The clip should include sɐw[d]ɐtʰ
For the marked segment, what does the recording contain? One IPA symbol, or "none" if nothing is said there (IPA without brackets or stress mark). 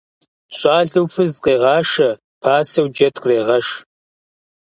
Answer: d͡ʒ